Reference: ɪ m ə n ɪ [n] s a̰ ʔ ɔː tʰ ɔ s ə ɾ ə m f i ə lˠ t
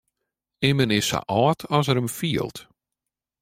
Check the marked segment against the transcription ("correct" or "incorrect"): incorrect